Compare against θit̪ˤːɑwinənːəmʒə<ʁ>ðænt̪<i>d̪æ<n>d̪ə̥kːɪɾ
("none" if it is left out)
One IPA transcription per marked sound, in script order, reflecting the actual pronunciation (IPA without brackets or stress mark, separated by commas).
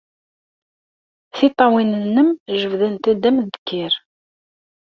v, æ, m